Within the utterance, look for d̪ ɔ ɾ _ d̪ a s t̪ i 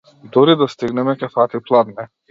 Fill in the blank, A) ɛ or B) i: B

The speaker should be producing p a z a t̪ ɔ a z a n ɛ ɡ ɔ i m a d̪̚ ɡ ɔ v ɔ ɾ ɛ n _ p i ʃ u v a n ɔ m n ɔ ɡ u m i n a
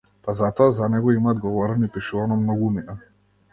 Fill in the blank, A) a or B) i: B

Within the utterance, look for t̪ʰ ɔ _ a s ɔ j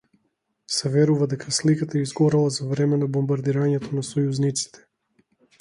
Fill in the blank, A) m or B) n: B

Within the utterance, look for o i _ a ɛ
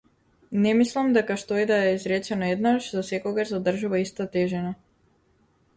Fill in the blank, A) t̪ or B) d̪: B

